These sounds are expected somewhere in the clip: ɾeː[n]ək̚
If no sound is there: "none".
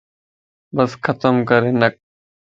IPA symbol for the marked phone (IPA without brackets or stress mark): n